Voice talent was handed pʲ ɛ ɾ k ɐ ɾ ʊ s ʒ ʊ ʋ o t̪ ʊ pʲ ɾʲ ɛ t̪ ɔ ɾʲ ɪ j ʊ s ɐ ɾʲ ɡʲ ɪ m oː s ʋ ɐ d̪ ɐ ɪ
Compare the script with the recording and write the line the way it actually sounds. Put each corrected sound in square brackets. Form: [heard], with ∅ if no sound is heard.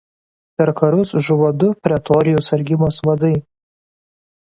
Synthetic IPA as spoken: pʲ ɛ ɾ k ɐ ɾ ʊ s ʒ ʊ ʋ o [d̪] ʊ pʲ ɾʲ ɛ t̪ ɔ ɾʲ ɪ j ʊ s ɐ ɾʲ ɡʲ ɪ m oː s ʋ ɐ d̪ ɐ ɪ

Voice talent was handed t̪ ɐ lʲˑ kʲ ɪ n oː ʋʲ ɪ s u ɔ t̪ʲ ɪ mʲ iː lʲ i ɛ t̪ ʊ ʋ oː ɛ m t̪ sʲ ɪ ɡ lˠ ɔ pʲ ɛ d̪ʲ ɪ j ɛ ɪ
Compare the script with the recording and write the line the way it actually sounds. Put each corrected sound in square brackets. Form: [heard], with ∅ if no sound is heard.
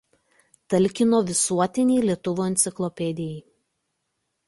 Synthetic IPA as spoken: t̪ ɐ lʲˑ kʲ ɪ n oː ʋʲ ɪ s u ɔ t̪ʲ ɪ [nʲ] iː lʲ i ɛ t̪ ʊ ʋ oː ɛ [n] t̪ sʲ ɪ [k] lˠ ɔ pʲ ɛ d̪ʲ ɪ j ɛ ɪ

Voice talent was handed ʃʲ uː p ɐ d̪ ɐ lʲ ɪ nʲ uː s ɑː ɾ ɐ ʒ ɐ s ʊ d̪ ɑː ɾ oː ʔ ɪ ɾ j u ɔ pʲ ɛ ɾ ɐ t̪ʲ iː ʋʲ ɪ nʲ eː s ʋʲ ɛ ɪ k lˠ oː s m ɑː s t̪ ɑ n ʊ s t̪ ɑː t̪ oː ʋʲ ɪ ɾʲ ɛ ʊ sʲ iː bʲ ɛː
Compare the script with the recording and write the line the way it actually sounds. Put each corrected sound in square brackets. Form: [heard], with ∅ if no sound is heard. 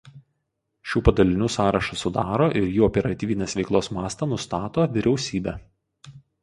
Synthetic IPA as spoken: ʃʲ uː p ɐ d̪ ɐ lʲ ɪ nʲ uː s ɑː ɾ ɐ [ʃ] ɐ s ʊ d̪ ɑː ɾ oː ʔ ɪ ɾ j [uː] ɔ pʲ ɛ ɾ ɐ t̪ʲ iː ʋʲ ɪ nʲ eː s ʋʲ ɛ ɪ k lˠ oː s m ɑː s t̪ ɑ n ʊ s t̪ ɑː t̪ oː ʋʲ ɪ ɾʲ ɛ ʊ sʲ iː bʲ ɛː

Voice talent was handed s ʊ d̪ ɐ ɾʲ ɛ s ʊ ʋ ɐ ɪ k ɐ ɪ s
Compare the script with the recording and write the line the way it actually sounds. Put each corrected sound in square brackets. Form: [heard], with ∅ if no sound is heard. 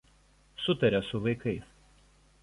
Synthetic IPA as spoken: s ʊ [t̪] ɐ ɾʲ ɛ s ʊ ʋ ɐ ɪ k ɐ ɪ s

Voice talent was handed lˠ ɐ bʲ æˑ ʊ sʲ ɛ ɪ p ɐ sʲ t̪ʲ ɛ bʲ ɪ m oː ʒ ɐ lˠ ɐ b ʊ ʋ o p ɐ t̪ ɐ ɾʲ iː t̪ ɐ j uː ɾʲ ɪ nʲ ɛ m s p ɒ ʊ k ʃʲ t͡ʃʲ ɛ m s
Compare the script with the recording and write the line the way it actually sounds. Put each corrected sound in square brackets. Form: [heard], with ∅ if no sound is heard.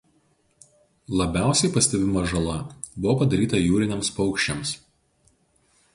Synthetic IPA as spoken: lˠ ɐ bʲ æˑ ʊ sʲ ɛ ɪ p ɐ sʲ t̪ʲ ɛ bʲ ɪ m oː ʒ ɐ lˠ ɐ b ʊ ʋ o p ɐ [d̪] ɐ ɾʲ iː t̪ ɐ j uː ɾʲ ɪ nʲ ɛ m s p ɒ ʊ k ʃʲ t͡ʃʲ ɛ m s

